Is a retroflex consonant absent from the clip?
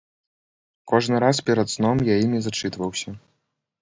no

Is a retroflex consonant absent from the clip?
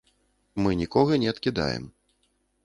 yes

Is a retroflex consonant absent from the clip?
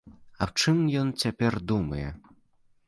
no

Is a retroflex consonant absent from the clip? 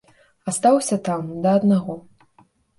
yes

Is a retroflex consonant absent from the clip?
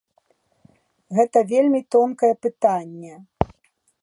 yes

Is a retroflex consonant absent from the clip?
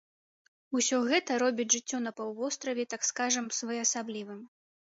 no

